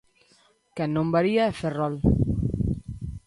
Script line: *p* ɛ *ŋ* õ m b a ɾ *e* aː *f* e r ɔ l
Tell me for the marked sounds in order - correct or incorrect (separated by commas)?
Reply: incorrect, incorrect, incorrect, correct